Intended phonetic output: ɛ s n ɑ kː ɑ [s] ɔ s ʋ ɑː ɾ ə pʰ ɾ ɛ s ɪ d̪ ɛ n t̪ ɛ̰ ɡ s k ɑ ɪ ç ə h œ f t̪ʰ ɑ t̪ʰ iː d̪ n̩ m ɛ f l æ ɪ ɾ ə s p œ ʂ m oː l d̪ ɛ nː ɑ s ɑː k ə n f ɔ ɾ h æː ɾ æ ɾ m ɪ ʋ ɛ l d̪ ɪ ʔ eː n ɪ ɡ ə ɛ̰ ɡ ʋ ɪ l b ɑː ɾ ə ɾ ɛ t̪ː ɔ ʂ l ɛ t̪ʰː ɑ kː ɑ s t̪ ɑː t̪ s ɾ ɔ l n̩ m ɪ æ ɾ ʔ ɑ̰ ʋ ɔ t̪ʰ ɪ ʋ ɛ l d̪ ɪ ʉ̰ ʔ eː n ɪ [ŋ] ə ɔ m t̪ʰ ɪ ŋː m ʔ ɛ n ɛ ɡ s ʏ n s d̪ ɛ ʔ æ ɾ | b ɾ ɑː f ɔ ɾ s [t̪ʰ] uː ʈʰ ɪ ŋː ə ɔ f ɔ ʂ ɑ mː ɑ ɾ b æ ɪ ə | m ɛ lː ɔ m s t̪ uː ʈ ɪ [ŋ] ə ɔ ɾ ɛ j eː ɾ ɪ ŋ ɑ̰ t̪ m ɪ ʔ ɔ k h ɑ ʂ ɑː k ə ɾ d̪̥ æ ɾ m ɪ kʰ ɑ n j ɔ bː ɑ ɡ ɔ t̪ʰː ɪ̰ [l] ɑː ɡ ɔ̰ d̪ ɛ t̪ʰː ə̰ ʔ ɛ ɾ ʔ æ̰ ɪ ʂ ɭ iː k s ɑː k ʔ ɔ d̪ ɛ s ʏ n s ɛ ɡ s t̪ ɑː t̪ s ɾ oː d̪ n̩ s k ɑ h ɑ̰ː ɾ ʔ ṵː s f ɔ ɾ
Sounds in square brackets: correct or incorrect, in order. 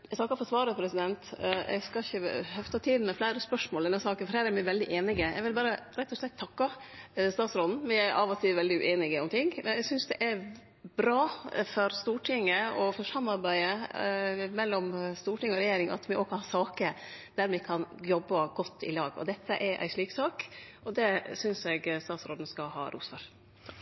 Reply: incorrect: f, incorrect: ɡ, incorrect: t̪, correct, correct

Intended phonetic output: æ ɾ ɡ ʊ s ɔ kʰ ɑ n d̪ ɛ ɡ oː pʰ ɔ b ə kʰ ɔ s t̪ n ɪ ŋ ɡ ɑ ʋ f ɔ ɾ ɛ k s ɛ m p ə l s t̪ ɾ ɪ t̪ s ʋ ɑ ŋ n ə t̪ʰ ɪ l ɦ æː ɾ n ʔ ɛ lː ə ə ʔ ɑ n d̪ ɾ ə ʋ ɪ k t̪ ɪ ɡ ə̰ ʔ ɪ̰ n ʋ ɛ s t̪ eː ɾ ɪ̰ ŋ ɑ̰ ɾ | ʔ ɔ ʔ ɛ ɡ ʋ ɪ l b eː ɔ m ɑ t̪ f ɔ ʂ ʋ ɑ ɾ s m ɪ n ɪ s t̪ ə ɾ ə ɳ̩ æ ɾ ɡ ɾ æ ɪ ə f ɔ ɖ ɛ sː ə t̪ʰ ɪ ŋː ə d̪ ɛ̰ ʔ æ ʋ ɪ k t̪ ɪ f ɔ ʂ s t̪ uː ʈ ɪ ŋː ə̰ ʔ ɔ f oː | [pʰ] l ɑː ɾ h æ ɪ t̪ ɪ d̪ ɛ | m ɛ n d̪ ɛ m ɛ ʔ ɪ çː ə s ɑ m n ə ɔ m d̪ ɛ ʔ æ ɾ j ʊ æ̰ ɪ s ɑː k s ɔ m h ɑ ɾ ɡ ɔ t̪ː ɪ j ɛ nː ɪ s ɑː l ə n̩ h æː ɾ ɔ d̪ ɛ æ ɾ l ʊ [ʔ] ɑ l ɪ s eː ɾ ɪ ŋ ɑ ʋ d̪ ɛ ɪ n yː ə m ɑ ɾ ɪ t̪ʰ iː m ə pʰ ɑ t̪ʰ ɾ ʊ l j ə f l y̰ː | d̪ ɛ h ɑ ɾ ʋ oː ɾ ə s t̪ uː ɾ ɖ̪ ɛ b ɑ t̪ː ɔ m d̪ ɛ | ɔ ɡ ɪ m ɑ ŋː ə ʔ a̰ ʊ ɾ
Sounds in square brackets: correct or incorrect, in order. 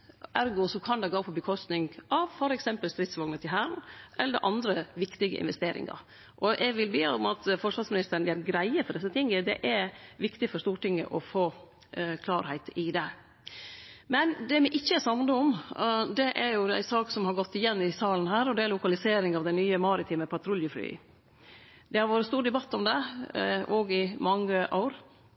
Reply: incorrect: kʰ, incorrect: k

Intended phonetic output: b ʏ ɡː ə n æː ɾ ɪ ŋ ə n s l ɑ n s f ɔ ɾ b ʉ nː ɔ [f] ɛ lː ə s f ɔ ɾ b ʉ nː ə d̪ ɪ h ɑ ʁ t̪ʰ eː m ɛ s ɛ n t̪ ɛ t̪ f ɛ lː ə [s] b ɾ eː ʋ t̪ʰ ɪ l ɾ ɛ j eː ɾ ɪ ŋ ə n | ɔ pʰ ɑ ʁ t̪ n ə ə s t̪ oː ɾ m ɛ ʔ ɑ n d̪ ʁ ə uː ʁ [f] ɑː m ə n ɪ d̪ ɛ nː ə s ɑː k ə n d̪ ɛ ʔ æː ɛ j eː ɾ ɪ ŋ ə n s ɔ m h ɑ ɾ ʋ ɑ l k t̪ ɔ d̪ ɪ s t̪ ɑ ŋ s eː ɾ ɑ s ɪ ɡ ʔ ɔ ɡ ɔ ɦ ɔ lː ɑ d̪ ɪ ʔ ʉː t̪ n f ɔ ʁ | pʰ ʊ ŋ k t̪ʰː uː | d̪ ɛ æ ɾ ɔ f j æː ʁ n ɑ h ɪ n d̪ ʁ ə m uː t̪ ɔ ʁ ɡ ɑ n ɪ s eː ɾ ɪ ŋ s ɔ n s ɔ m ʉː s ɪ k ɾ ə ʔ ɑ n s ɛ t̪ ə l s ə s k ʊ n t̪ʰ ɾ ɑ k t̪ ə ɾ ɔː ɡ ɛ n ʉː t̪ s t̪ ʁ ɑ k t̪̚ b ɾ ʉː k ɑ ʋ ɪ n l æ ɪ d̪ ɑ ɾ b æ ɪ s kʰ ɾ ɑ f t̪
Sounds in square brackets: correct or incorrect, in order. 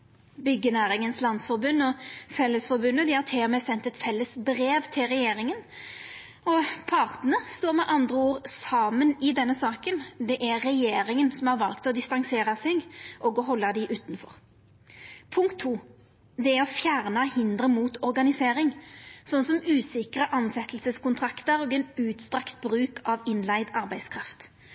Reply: correct, correct, incorrect: s

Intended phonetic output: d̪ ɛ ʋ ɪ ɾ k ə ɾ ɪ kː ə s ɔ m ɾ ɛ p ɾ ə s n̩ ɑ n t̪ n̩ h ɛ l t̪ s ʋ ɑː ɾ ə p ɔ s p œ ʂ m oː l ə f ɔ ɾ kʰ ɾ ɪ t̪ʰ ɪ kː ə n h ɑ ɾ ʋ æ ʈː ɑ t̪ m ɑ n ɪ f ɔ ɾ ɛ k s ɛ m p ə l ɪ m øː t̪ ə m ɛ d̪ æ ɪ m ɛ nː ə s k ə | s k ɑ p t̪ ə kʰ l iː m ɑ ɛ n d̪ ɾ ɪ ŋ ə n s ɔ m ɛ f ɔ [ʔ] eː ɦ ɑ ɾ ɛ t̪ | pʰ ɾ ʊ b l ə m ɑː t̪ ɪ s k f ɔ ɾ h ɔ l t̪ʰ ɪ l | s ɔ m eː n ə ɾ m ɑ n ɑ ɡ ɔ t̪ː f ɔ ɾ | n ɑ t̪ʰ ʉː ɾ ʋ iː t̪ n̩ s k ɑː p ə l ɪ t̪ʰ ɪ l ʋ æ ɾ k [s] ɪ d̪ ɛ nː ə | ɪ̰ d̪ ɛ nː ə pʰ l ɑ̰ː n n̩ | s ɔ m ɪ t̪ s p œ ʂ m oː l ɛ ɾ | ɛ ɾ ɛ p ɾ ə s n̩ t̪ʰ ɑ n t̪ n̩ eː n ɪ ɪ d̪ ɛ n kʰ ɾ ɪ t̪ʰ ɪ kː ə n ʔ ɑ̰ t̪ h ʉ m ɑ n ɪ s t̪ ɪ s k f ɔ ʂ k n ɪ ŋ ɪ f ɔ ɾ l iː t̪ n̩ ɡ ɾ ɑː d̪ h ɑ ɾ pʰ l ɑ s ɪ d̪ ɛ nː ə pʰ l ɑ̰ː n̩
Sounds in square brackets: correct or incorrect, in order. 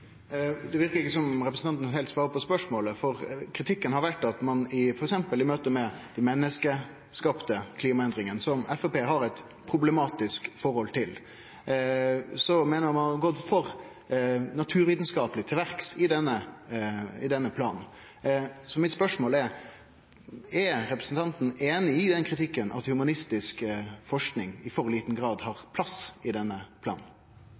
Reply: incorrect: p, correct

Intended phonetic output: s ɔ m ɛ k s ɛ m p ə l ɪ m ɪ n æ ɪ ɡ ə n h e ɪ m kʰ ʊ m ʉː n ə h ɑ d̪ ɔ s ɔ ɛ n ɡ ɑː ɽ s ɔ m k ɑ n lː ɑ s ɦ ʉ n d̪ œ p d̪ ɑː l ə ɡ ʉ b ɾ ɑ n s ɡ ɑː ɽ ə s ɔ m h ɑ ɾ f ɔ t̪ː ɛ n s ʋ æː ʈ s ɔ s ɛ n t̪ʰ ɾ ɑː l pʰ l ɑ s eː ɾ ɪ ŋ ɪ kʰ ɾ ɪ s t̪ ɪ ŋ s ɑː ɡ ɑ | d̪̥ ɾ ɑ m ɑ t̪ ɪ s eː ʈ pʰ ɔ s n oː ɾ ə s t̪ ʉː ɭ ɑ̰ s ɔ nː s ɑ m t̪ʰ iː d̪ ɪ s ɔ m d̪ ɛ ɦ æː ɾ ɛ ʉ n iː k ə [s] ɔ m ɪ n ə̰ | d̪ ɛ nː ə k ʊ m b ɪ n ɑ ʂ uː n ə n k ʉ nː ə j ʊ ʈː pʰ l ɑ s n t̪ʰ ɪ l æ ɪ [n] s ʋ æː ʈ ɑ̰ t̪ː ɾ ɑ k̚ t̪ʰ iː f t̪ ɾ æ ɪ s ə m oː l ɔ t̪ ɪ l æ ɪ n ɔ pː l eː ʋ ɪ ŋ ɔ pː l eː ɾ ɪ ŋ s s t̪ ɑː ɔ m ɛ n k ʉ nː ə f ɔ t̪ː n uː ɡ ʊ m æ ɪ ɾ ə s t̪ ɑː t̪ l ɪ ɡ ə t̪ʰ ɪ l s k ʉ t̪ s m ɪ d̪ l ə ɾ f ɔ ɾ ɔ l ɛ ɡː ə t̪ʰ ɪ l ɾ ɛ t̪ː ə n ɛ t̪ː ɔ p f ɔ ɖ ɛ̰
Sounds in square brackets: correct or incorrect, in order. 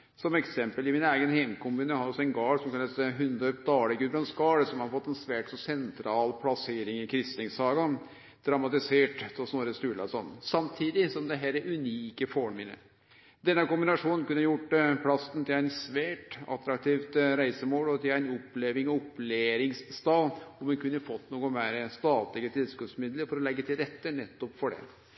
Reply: incorrect: f, correct

